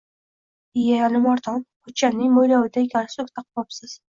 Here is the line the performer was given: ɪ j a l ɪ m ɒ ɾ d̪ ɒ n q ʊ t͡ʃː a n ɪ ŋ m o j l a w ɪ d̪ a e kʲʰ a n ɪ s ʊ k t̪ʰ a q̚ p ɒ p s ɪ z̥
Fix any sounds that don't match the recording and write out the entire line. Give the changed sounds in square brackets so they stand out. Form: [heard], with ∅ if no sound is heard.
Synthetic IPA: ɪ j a l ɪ m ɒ ɾ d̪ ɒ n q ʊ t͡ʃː a n ɪ ŋ m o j l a w ɪ d̪ a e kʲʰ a n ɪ s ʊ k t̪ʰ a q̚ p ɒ p s ɪ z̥